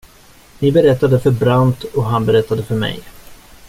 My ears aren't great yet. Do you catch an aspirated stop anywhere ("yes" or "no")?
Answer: no